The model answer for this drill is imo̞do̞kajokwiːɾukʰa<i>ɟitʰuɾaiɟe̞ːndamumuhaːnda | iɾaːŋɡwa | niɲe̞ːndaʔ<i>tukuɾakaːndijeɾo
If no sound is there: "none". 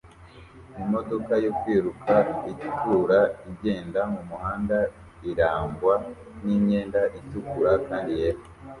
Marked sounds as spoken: i, i

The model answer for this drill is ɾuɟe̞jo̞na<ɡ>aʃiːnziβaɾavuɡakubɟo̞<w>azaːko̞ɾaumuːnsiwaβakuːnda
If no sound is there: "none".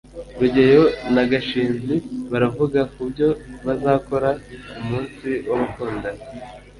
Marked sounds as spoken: ɡ, β

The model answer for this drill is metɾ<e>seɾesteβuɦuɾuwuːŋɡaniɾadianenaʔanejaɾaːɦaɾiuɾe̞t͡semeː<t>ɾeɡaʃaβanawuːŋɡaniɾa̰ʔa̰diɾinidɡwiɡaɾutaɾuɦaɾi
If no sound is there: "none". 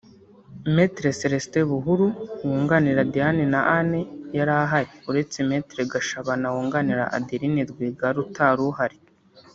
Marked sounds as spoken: e, t

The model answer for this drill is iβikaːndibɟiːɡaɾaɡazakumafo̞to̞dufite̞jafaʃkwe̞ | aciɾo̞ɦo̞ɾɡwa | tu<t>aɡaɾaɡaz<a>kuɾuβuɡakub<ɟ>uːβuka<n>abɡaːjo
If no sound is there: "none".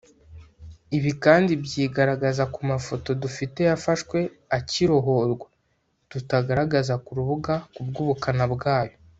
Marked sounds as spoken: t, a, ɡ, n

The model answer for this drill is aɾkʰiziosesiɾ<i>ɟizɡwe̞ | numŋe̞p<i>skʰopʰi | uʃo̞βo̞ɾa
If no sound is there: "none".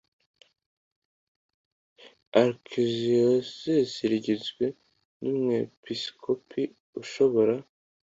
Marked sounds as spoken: i, i

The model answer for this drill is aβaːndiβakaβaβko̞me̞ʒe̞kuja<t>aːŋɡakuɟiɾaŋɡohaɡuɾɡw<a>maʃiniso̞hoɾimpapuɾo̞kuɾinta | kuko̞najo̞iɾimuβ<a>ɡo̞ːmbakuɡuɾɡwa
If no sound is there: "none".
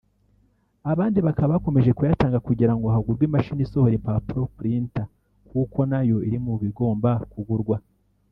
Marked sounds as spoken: t, i, i

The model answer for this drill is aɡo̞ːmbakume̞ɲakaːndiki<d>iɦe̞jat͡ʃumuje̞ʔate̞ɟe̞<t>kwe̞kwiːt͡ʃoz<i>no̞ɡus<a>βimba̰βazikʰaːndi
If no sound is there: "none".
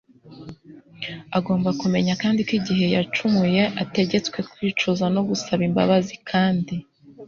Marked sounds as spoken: ɟ, t͡s, a, a

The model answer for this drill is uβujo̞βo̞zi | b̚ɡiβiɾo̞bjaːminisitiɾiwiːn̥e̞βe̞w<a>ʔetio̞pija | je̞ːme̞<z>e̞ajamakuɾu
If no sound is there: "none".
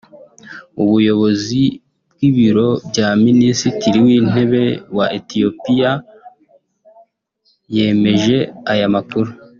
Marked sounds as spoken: a, ʒ

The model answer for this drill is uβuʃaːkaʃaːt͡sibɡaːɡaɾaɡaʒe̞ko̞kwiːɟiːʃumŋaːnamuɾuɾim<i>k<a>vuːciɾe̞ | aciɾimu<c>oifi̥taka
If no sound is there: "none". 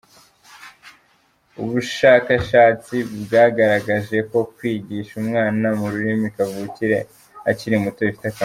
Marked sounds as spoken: i, a, t

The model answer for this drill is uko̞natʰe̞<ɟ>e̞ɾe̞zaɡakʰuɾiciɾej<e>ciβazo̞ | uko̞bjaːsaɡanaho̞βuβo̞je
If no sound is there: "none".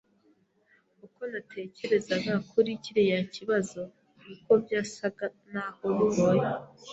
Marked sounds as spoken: c, a

